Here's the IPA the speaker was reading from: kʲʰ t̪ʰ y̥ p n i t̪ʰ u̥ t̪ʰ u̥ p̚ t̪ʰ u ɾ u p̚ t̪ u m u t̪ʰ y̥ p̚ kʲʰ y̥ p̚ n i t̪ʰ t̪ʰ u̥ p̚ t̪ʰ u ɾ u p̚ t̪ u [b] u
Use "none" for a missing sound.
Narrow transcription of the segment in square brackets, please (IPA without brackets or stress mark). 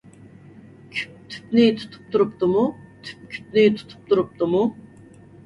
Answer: m